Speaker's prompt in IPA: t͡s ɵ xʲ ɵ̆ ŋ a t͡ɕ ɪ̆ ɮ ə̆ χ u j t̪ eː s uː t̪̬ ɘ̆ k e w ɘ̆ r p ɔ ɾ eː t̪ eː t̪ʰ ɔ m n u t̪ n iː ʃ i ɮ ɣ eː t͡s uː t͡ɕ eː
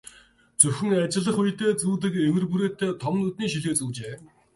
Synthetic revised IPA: t͡s ɵ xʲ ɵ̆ ŋ a t͡ɕ ɪ̆ ɮ ə̆ χ u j t̪ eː t͡s uː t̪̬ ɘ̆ k e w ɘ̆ r p u ɾ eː t̪ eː t̪ʰ ɔ m n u t̪ n iː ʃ i ɮ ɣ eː t͡s uː t͡ɕ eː